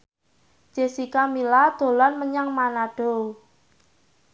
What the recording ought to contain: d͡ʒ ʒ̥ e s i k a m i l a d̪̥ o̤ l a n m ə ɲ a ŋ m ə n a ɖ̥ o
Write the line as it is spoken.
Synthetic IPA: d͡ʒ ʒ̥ e s i k a m i l a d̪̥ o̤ l a n m ə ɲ a ŋ m a n a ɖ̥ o